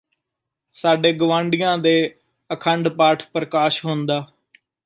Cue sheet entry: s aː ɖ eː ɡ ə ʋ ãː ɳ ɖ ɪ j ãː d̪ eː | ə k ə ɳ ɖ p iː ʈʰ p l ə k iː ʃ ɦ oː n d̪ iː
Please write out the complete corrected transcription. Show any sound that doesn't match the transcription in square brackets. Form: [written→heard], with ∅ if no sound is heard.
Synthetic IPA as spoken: s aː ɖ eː ɡ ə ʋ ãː ɳ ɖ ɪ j ãː d̪ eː | ə [k→kʰ] ə ɳ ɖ p [iː→aː] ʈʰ p [l→ɾ] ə k [iː→aː] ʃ ɦ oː n d̪ [iː→aː]